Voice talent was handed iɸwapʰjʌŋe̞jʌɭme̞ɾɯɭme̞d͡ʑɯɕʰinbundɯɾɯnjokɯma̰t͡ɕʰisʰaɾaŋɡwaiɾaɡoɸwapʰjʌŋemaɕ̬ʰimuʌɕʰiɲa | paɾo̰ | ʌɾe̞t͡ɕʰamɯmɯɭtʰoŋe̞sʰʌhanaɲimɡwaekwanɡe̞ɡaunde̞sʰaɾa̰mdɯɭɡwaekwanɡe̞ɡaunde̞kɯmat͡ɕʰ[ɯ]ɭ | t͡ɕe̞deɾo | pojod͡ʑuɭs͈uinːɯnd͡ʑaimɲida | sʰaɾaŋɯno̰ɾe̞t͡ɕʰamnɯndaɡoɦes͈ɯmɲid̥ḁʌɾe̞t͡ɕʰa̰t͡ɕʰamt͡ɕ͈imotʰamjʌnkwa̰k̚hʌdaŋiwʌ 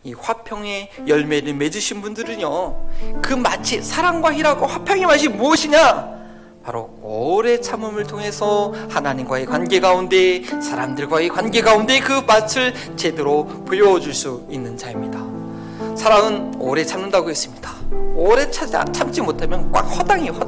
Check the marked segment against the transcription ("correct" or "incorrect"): correct